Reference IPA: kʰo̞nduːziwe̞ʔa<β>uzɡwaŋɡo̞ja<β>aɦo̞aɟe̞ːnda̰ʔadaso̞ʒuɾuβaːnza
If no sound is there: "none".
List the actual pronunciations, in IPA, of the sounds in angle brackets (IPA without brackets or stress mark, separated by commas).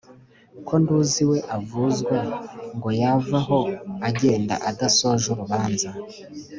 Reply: v, v